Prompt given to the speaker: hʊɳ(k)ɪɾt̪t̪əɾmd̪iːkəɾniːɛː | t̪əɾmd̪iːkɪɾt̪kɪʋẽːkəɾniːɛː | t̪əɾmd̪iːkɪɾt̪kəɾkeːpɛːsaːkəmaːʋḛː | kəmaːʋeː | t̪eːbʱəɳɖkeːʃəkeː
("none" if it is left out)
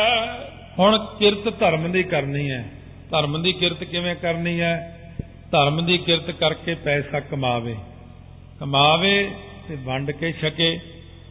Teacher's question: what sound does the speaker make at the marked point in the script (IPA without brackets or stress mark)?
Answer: k